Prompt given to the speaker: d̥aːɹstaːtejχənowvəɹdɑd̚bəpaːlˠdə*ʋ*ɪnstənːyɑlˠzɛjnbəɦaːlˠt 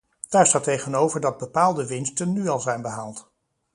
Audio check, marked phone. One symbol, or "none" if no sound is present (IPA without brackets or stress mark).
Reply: ʋ